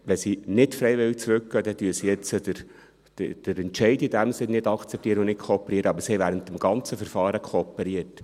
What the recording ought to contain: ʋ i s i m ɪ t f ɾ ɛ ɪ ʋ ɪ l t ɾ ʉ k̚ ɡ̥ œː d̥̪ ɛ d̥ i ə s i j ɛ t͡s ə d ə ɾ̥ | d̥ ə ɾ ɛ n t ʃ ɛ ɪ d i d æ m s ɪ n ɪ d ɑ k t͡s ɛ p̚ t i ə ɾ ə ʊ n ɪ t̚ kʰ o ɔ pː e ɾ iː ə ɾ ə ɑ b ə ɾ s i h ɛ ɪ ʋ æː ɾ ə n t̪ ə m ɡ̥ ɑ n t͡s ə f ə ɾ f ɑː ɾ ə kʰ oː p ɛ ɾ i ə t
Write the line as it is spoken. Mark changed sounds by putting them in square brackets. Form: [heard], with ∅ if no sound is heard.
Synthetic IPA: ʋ [ɛ] s i [n] ɪ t f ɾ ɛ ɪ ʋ ɪ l [t͡s] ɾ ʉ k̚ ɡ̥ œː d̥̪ ɛ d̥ [y] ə s i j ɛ t͡s ə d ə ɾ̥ | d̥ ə ɾ ɛ n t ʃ ɛ ɪ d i d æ m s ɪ n ɪ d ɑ k t͡s ɛ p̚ t i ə ɾ ə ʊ n ɪ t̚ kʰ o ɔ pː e ɾ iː ə ɾ ə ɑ b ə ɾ s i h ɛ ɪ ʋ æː ɾ ə n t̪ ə m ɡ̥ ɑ n t͡s ə f ə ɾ f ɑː ɾ ə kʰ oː p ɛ ɾ i ə t